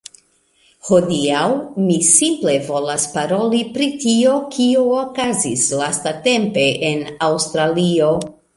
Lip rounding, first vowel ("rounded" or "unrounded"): rounded